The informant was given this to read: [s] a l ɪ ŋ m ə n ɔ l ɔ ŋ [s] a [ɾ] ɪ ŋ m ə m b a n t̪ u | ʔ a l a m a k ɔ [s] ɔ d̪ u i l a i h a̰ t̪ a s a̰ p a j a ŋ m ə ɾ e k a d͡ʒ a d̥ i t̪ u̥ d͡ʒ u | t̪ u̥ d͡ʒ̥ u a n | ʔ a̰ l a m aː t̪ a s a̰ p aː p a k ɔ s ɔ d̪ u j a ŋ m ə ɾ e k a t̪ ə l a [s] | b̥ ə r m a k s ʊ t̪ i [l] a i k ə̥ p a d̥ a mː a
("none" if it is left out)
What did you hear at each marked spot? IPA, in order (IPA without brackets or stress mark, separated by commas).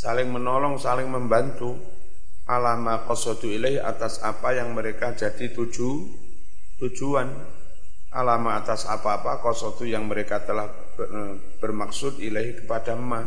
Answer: s, s, l, s, h, l